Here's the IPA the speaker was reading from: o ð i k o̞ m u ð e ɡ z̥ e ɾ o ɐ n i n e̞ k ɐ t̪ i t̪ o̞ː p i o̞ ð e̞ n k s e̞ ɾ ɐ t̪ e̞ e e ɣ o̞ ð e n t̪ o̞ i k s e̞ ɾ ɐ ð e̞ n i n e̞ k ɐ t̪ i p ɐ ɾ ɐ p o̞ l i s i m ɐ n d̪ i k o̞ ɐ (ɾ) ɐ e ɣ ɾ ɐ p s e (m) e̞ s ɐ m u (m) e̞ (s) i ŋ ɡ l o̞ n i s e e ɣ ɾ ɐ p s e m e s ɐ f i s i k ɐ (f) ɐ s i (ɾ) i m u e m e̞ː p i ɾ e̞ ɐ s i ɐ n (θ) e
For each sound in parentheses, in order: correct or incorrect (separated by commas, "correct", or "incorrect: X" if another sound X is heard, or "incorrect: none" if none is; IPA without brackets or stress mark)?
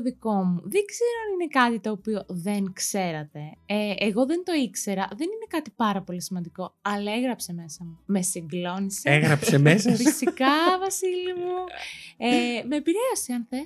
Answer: incorrect: l, correct, correct, correct, incorrect: v, incorrect: l, correct